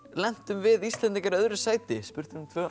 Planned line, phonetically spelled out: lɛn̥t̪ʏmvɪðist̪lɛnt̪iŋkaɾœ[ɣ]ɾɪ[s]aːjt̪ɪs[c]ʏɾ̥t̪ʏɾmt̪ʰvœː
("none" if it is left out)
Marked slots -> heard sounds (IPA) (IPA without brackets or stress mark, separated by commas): ð, s, p